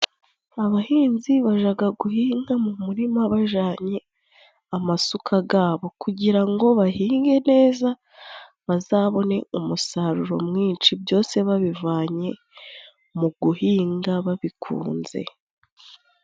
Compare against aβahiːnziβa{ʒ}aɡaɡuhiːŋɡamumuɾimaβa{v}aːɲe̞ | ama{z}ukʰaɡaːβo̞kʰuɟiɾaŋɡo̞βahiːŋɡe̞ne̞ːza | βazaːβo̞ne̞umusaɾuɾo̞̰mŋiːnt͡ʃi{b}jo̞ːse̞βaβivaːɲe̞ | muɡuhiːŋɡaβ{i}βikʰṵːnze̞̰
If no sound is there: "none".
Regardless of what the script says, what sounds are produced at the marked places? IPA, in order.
ʒ, ʒ, s, b, a

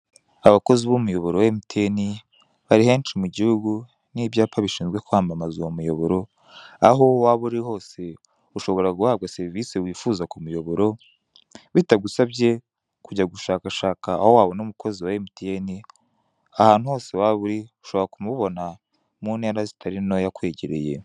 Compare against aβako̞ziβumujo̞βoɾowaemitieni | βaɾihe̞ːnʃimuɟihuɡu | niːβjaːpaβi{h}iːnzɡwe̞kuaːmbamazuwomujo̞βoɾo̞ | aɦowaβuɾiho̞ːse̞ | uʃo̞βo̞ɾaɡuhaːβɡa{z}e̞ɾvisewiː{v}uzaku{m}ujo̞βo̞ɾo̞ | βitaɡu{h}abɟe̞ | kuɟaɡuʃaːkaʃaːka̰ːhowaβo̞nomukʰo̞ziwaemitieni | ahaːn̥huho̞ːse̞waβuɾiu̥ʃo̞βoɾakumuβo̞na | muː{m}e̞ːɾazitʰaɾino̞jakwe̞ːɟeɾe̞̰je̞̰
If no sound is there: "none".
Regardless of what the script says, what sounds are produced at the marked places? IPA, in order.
ʃ, s, f, m, s, n

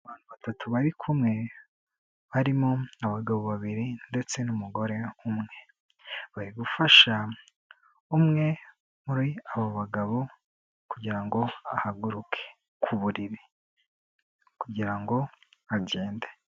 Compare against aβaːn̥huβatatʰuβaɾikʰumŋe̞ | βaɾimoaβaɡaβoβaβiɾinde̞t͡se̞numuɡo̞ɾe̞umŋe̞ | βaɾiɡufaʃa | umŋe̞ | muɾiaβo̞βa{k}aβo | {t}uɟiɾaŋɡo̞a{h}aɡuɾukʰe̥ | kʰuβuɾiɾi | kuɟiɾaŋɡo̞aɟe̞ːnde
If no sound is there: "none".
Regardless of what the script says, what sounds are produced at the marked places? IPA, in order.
ɡ, k, h

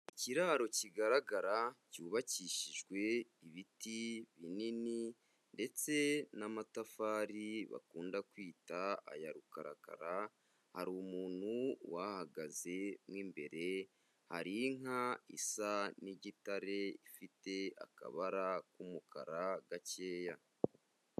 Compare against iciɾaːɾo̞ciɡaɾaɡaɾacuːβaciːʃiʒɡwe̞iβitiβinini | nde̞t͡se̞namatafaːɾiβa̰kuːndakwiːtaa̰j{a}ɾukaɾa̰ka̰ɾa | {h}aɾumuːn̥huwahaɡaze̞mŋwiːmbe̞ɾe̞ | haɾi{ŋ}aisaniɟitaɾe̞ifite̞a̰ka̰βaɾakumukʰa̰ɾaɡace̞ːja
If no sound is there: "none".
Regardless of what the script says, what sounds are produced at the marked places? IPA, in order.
a, h, ŋ

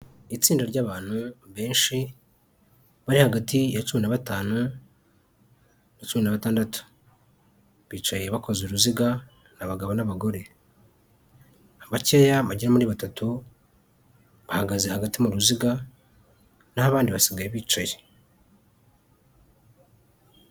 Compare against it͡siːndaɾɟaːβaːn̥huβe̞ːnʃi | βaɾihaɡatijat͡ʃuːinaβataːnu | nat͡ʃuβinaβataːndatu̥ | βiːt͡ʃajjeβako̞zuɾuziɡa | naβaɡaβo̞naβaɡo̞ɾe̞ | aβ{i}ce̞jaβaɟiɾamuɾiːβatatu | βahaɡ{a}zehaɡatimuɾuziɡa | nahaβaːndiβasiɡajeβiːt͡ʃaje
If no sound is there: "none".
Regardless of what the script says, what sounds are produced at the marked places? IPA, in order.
a, a

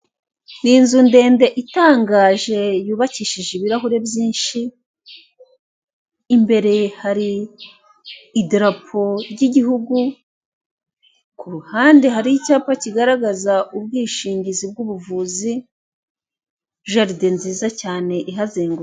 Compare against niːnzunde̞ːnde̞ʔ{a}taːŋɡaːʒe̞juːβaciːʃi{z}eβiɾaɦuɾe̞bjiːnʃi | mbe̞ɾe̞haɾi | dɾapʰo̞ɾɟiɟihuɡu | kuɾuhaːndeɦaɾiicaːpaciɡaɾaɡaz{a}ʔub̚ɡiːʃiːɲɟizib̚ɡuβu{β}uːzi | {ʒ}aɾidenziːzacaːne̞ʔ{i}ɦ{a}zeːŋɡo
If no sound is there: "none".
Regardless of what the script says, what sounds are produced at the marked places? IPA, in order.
i, ʒ, a, v, ʒ, i, a

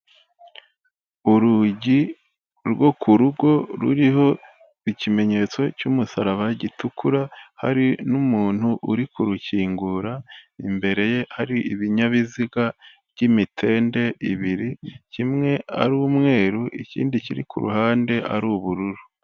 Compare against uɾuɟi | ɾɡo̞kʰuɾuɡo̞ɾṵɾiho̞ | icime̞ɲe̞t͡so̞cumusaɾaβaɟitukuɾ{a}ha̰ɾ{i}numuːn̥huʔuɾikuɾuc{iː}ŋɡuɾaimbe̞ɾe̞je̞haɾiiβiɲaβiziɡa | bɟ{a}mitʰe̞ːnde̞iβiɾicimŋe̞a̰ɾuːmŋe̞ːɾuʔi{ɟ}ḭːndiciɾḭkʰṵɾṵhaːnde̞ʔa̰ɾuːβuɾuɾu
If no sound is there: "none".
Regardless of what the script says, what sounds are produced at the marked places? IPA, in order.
a, i, iː, i, c

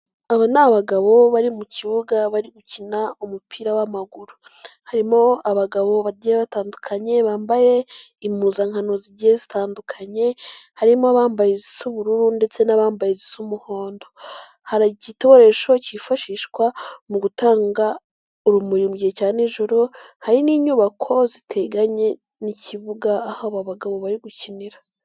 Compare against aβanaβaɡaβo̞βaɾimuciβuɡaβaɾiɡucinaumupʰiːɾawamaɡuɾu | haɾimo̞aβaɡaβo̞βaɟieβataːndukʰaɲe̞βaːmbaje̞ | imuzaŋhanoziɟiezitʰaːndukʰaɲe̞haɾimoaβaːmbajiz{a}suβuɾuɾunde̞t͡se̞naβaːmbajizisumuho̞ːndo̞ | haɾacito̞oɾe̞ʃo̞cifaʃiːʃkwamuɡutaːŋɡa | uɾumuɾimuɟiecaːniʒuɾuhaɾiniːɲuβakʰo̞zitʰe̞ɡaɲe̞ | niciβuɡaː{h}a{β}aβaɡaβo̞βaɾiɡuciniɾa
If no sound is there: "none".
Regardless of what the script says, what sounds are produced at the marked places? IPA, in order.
i, h, β

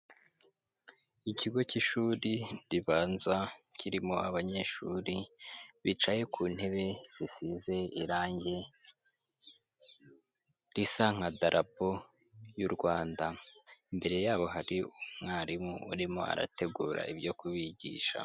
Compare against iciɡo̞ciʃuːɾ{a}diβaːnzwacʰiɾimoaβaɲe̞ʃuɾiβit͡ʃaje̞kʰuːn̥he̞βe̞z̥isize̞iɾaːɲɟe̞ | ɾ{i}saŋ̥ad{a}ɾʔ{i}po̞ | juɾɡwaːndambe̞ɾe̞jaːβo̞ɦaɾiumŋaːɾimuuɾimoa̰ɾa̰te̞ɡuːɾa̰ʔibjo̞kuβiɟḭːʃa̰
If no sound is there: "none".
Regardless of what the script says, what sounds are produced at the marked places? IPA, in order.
i, i, a, a

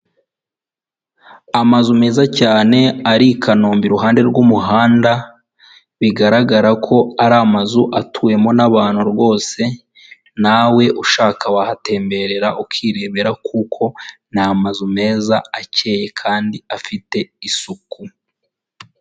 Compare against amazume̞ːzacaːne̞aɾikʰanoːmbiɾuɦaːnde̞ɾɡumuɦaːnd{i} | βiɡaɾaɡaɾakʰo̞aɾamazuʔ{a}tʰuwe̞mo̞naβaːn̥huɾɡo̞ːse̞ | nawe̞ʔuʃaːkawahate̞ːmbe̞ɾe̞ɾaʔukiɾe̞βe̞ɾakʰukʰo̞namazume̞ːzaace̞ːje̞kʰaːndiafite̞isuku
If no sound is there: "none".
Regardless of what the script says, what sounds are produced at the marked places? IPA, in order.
a, a

